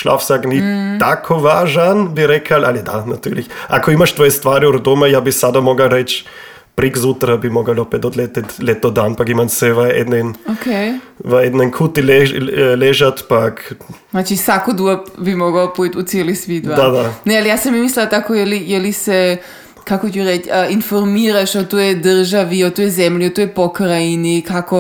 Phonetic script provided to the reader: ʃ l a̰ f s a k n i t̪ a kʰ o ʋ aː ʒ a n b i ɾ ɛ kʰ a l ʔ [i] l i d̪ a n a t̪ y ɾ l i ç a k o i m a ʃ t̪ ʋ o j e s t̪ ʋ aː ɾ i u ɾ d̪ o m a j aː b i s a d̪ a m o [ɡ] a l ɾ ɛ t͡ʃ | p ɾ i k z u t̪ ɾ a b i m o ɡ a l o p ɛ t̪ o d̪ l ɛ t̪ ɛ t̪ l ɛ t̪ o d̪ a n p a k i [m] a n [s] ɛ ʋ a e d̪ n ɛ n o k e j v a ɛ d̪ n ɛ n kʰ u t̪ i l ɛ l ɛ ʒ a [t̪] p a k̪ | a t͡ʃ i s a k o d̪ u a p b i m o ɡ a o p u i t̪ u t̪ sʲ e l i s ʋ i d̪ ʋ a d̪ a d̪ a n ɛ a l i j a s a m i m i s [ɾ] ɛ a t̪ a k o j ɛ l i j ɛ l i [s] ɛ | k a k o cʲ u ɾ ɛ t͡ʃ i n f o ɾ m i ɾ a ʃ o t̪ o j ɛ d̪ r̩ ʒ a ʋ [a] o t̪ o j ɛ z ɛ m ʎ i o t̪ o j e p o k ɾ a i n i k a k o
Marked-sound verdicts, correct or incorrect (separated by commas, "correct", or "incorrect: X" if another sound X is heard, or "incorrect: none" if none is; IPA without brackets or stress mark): incorrect: a, correct, correct, correct, correct, incorrect: l, correct, incorrect: i